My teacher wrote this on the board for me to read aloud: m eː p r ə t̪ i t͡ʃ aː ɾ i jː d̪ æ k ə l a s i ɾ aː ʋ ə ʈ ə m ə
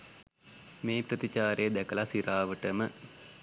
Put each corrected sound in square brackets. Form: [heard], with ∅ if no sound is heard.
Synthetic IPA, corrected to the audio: m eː p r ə t̪ i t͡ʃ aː ɾ [e] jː d̪ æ k ə l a s i ɾ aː ʋ ə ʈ ə m ə